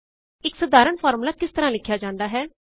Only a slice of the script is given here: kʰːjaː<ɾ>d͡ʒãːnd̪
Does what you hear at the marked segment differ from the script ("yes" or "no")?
yes